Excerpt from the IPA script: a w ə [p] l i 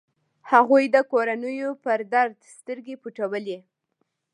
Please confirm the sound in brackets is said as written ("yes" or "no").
no